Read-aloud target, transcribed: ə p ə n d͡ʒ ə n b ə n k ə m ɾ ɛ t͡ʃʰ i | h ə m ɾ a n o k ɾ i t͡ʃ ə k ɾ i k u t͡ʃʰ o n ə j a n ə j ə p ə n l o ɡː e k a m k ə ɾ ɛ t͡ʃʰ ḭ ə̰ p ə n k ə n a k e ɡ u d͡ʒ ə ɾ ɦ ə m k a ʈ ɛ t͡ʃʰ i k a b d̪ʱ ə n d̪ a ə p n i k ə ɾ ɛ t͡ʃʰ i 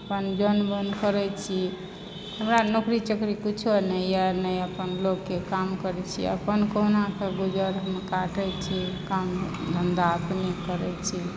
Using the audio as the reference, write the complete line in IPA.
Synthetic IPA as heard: ə p ə n d͡ʒ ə n b ə n k ə ɾ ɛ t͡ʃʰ i | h ə m ɾ a n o k ɾ i t͡ʃ ə k ɾ i k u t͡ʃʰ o n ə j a n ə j ə p ə n l o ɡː e k a m k ə ɾ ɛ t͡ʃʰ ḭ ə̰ p ə n k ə n a k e ɡ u d͡ʒ ə ɾ ɦ ə m k a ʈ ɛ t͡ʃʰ i k a m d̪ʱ ə n d̪ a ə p n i k ə ɾ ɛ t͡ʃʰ i